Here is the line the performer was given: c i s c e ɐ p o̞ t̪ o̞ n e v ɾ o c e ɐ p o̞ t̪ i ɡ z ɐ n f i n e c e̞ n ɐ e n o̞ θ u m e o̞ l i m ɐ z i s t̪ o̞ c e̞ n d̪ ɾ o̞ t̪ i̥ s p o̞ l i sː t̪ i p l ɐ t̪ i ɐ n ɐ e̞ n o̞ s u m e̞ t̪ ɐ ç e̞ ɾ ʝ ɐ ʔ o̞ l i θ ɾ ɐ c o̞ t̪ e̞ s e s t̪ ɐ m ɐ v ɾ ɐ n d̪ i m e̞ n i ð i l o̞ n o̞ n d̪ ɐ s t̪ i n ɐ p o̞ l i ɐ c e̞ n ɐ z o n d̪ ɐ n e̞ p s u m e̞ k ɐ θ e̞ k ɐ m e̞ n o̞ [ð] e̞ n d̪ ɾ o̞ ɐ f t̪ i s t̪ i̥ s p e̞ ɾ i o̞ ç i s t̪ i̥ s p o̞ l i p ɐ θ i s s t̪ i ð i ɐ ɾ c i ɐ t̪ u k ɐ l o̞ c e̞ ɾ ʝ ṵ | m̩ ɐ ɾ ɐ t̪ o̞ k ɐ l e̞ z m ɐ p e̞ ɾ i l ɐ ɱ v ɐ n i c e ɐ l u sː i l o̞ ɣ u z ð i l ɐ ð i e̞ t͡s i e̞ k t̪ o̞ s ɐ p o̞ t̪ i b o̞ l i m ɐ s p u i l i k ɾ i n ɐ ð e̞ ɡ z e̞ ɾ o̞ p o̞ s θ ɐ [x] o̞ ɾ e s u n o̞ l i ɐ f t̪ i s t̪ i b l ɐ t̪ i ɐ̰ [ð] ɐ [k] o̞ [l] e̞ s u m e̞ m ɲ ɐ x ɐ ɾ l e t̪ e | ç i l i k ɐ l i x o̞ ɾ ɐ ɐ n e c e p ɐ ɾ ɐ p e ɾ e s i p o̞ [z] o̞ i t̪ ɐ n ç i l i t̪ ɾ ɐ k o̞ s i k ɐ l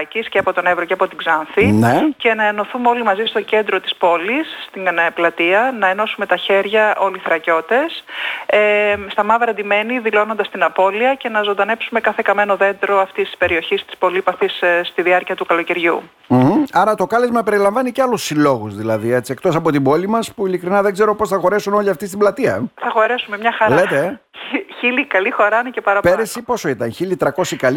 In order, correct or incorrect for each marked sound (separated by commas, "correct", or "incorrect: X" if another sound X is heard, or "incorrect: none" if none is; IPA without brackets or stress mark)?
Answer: correct, correct, incorrect: θ, incorrect: x, incorrect: ɾ, incorrect: s